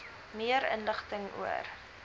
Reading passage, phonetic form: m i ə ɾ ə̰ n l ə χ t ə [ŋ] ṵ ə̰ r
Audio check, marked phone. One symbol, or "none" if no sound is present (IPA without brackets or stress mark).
ŋ